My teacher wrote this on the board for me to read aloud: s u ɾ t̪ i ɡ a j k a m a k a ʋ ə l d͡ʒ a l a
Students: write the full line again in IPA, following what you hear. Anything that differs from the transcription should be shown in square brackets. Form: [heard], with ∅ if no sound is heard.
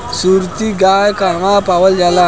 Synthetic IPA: s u ɾ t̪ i ɡ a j k a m a [p] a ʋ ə l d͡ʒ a l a